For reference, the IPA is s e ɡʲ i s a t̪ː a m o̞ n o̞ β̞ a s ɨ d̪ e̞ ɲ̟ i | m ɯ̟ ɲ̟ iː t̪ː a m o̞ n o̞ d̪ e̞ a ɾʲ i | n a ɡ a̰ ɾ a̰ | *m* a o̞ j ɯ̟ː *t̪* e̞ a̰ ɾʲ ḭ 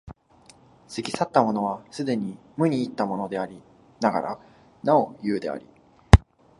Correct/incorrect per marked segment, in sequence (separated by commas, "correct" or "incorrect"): incorrect, incorrect